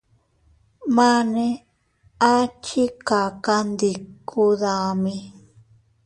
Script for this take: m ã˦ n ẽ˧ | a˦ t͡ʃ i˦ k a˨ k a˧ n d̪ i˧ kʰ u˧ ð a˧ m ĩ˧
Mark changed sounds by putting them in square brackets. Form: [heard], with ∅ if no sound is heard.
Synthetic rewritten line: m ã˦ n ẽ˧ | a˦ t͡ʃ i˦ k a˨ k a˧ n d̪ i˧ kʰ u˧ ð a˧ m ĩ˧